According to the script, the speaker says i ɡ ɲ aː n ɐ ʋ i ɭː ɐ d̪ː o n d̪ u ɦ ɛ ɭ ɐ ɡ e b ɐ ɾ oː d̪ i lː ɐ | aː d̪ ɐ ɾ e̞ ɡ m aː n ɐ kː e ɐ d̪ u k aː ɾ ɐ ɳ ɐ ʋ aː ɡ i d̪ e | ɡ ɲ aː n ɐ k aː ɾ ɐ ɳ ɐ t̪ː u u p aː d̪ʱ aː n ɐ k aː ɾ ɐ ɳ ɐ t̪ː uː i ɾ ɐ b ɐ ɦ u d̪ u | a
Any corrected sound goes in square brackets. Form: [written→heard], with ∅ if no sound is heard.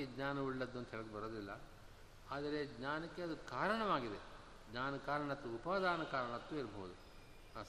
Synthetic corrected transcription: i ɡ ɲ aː n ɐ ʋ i ɭː ɐ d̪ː o n d̪ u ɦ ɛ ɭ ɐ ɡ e b ɐ ɾ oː d̪ i lː ɐ | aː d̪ ɐ ɾ e̞ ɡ [m→ɲ] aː n ɐ kː e ɐ d̪ u k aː ɾ ɐ ɳ ɐ ʋ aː ɡ i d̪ e | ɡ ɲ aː n ɐ k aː ɾ ɐ ɳ ɐ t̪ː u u p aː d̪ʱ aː n ɐ k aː ɾ ɐ ɳ ɐ t̪ː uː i ɾ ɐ b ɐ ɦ u d̪ u | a